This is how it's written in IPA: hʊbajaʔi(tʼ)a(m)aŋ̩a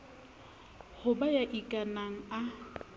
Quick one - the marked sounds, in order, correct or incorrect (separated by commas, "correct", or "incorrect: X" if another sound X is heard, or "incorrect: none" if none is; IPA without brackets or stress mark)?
incorrect: kʼ, incorrect: n